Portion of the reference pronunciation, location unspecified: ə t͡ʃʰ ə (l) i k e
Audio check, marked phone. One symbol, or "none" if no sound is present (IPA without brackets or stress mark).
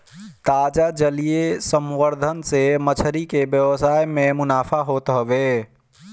ɾ